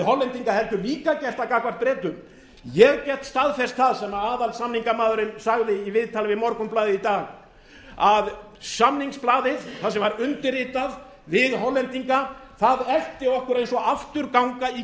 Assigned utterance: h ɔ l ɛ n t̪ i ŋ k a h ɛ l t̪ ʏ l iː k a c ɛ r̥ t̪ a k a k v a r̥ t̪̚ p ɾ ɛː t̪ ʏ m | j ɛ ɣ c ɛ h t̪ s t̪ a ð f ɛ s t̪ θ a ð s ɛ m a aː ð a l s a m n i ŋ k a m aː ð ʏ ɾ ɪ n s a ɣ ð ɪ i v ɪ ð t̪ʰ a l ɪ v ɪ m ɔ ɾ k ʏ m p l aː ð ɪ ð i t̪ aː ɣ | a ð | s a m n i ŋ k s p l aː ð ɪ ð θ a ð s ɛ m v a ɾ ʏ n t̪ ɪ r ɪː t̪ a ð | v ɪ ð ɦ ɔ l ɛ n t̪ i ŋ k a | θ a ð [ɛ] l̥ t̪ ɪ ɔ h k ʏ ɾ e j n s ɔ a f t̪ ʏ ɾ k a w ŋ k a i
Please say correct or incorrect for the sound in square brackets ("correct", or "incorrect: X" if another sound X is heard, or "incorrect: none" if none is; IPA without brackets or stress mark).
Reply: correct